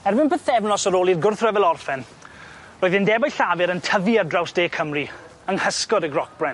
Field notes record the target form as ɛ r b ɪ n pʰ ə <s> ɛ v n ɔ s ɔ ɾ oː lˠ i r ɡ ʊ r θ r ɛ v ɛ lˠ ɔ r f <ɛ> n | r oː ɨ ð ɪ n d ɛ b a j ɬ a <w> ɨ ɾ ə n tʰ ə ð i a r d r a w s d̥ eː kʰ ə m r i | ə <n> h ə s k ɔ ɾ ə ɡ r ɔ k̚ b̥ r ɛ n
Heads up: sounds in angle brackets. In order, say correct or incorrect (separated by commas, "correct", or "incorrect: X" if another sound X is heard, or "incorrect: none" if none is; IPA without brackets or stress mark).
incorrect: θ, correct, incorrect: v, incorrect: ŋ